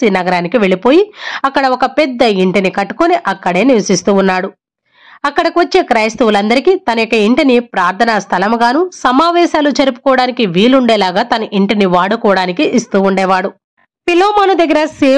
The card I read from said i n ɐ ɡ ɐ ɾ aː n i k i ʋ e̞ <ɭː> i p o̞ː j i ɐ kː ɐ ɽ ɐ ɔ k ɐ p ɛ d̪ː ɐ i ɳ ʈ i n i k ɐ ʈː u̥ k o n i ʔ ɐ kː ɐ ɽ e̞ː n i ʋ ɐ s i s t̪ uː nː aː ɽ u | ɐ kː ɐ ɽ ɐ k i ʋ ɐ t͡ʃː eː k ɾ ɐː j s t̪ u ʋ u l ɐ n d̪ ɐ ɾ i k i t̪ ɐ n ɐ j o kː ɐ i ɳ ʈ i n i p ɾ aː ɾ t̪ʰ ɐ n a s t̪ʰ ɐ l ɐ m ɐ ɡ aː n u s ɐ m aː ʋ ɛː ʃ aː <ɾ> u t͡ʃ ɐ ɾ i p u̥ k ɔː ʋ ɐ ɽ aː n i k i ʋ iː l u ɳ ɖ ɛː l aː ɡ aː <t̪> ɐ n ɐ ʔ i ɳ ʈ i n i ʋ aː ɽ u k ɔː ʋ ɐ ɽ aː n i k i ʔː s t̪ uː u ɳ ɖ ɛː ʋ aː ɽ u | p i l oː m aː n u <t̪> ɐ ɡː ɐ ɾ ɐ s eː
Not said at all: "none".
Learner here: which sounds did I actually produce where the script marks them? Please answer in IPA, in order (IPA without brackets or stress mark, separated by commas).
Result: ɭ, l, t̪, d̪